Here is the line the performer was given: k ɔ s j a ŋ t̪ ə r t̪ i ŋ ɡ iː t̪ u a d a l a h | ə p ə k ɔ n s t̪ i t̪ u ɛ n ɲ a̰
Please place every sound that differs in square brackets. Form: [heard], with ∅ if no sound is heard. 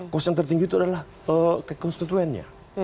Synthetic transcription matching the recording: k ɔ s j a ŋ t̪ ə r t̪ i ŋ ɡ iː t̪ u a d a l a h | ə [k] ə k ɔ n s t̪ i t̪ u ɛ n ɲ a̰